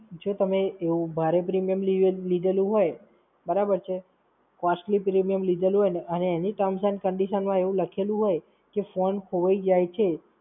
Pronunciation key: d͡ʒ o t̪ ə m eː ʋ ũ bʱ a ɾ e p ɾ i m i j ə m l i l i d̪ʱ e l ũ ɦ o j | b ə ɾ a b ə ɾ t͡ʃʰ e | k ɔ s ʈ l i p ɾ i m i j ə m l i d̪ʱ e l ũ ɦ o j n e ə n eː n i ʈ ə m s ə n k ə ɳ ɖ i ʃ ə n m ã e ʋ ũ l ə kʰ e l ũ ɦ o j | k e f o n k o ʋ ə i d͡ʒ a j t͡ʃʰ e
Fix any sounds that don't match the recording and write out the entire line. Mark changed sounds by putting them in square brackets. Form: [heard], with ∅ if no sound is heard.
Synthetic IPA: d͡ʒ o t̪ ə m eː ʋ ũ bʱ a ɾ e p ɾ i m i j ə m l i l i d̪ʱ e l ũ ɦ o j | b ə ɾ a b ə ɾ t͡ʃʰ e | k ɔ s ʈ l i p ɾ i m i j ə m l i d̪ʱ e l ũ ɦ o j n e ə n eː n i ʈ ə m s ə n k ə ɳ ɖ i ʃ ə n m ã e ʋ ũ l ə kʰ e l ũ ɦ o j | k e f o n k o ʋ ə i d͡ʒ a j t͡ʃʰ e